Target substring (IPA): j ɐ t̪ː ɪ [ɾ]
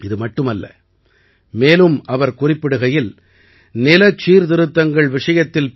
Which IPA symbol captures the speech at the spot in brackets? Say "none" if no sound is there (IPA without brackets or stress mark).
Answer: l